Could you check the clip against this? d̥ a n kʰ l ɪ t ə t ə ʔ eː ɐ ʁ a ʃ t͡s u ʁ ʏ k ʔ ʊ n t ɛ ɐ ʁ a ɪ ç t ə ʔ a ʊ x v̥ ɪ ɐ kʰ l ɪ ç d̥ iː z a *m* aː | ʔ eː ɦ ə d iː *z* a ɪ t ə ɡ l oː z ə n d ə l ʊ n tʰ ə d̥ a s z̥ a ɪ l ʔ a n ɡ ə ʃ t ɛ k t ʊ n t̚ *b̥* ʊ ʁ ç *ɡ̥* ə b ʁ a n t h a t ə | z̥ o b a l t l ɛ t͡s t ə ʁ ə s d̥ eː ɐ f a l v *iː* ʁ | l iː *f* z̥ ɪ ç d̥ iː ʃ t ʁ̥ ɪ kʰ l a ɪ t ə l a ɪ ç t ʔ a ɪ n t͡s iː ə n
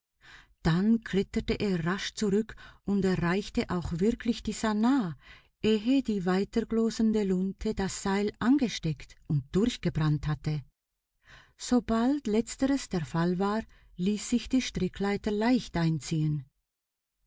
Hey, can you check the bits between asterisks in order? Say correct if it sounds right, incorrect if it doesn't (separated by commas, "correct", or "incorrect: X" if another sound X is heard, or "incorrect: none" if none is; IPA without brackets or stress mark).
incorrect: n, incorrect: v, incorrect: d̥, correct, incorrect: aː, incorrect: s